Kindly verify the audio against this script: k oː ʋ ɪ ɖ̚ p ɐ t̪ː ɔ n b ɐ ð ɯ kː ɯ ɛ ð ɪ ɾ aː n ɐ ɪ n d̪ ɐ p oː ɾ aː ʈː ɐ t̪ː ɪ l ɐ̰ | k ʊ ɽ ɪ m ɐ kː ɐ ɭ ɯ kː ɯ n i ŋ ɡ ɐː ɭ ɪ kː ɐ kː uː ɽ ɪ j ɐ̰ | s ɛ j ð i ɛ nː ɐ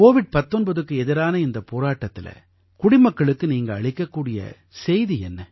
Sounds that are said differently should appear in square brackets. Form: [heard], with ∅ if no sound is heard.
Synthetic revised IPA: k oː ʋ ɪ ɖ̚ p ɐ t̪ː ɔ n b ɐ ð ɯ kː ɯ ɛ ð ɪ ɾ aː n ɐ ɪ n d̪ ɐ p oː ɾ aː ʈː ɐ t̪ː ɪ l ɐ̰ | k ʊ ɽ ɪ m ɐ kː ɐ ɭ ɯ kː ɯ n [iː] ŋ ɡ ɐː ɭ ɪ kː ɐ kː uː ɽ ɪ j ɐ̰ | s ɛ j ð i ɛ nː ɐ